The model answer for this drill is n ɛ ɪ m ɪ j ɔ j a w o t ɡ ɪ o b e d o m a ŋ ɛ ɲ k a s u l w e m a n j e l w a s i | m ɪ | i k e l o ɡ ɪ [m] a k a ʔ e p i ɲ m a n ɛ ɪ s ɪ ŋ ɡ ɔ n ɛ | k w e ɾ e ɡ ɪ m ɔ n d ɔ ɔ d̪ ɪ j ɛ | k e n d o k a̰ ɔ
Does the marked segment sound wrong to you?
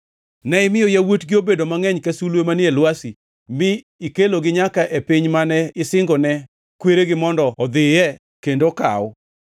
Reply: yes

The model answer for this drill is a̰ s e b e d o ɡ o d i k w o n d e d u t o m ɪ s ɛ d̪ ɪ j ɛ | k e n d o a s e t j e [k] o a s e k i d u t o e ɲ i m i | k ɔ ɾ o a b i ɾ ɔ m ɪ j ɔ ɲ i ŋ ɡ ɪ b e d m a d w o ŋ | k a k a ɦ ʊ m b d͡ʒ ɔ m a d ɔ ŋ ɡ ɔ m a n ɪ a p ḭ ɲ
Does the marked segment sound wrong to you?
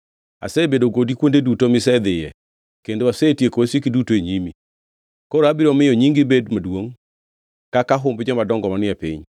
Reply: no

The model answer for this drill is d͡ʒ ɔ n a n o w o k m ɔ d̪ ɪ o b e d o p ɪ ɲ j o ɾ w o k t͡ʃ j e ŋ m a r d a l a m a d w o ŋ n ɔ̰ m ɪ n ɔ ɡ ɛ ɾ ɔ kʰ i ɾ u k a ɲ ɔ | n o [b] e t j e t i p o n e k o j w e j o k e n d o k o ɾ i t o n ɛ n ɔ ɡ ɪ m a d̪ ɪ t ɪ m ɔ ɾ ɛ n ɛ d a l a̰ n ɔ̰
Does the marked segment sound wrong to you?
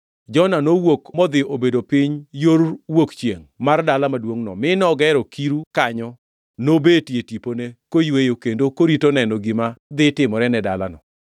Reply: no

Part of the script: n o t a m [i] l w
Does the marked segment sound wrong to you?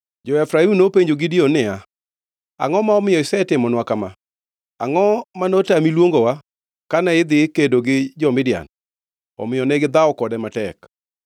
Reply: no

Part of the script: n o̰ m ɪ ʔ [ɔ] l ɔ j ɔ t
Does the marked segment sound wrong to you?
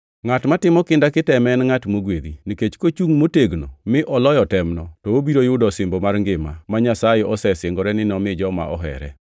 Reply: no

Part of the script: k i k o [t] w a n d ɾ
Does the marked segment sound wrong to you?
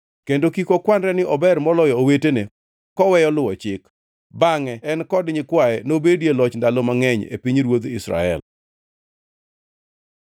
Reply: yes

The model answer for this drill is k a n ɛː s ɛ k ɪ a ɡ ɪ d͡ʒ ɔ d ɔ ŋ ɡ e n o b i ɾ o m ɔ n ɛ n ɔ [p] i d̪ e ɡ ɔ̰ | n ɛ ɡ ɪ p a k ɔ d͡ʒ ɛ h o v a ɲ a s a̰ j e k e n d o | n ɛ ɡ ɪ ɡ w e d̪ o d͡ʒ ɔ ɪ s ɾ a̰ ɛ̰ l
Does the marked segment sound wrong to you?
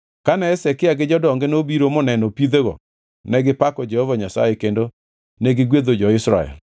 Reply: no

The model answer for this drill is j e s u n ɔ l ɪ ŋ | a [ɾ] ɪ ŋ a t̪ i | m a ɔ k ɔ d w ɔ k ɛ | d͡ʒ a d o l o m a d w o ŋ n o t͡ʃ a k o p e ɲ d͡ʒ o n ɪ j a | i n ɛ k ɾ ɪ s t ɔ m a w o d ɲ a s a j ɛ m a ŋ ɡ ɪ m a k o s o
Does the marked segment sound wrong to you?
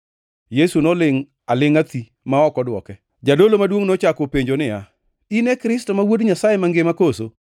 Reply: yes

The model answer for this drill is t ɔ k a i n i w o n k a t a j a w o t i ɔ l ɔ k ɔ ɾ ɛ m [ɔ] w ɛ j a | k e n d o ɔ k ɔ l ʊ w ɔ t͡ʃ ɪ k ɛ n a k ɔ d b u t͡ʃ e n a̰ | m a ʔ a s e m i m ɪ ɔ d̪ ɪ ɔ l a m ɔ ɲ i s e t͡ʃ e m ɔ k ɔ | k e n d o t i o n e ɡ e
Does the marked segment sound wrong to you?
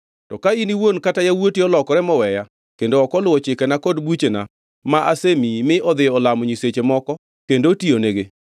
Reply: no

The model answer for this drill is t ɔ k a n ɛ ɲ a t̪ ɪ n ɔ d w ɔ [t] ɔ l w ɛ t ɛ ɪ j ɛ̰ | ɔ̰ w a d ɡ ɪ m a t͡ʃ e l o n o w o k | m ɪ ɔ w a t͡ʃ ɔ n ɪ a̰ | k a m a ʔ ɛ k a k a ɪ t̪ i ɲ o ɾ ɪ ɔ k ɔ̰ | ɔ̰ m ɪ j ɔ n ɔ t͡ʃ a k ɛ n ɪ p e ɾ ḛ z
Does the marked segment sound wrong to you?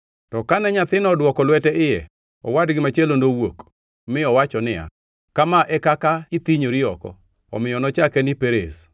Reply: yes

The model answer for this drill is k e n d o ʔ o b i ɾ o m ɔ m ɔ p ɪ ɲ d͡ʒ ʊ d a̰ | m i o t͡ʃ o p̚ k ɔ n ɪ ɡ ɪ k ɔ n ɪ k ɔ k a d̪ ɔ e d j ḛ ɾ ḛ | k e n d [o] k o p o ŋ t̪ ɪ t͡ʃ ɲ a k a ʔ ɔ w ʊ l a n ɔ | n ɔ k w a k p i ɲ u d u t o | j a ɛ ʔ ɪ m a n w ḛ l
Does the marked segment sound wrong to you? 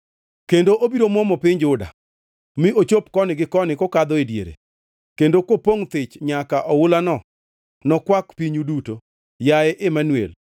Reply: no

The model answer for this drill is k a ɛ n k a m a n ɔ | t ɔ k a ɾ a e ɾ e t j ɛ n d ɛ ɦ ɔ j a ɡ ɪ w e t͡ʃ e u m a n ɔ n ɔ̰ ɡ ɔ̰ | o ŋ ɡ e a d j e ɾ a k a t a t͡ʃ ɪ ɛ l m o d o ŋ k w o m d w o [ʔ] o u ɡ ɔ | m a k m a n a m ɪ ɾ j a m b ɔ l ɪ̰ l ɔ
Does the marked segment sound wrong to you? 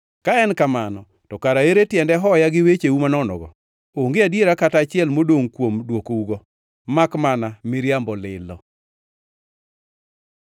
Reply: yes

